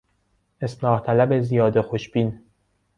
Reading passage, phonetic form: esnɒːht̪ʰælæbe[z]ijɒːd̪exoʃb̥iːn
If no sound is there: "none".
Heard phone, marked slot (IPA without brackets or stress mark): z